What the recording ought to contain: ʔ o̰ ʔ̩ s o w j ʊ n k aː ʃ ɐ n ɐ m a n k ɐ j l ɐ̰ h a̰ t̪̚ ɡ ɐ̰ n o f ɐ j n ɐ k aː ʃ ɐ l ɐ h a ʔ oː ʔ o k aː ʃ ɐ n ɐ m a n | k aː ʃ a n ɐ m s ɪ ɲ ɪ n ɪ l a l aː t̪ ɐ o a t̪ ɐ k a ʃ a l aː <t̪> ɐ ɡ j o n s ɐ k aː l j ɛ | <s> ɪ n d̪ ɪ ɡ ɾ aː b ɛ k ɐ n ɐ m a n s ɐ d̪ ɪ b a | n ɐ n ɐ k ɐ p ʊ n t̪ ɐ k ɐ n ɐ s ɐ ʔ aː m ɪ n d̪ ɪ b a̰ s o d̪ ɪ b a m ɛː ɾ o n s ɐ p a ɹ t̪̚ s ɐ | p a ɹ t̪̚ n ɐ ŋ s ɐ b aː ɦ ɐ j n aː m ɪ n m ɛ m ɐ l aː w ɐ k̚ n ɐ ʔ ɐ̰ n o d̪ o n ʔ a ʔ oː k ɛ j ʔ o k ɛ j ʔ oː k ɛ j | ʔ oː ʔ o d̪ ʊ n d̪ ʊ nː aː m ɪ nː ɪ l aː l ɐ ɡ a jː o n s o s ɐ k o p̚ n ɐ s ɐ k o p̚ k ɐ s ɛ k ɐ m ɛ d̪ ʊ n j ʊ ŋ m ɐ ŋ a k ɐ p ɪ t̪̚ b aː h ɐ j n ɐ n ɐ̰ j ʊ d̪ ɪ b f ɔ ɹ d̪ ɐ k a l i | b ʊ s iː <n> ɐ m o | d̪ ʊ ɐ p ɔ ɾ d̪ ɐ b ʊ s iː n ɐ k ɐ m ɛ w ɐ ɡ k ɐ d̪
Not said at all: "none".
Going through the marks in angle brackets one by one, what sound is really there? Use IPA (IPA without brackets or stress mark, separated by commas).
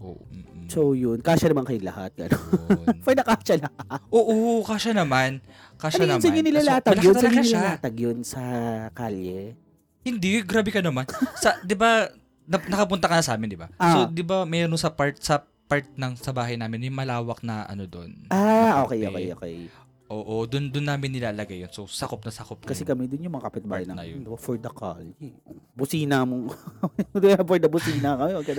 t̪, h, n